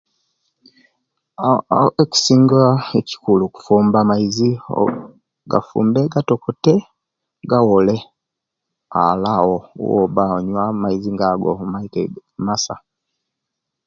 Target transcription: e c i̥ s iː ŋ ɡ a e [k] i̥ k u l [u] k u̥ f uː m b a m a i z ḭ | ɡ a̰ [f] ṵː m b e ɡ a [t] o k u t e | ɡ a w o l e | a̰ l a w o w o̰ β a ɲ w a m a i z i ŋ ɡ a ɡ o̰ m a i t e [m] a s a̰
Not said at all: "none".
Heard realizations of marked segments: c, u, f, t, m

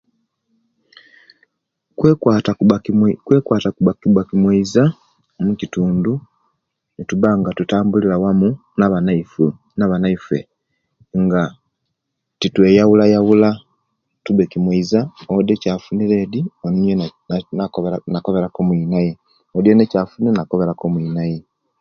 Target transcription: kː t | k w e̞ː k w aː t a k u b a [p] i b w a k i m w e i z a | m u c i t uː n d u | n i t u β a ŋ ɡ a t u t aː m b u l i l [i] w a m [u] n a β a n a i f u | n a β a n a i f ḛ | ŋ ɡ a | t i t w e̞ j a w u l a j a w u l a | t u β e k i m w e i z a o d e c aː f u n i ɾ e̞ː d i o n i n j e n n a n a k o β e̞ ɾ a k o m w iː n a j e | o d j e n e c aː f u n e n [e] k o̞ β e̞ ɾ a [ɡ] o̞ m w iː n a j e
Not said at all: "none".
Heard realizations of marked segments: k, a, u, a, k

